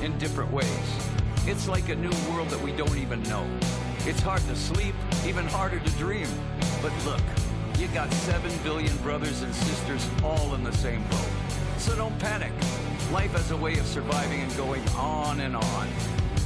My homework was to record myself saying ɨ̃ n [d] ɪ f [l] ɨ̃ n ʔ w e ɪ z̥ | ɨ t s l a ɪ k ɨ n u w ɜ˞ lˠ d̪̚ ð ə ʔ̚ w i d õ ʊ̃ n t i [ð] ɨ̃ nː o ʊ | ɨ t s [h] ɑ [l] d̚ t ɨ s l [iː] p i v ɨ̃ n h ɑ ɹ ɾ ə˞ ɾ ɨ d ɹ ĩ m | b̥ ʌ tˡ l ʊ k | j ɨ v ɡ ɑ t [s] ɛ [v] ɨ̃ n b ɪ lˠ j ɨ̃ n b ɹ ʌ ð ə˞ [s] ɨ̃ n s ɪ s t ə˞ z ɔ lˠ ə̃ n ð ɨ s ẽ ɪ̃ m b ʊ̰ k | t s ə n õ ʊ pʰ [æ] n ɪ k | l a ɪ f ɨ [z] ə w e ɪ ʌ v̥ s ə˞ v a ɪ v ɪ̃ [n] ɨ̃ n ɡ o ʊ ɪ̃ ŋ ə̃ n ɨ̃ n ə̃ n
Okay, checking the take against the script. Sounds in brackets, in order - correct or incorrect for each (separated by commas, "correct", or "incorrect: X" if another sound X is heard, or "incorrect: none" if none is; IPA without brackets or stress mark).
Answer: correct, incorrect: ɹ, incorrect: v, correct, incorrect: ɹ, incorrect: i, correct, correct, incorrect: z, correct, correct, incorrect: ŋ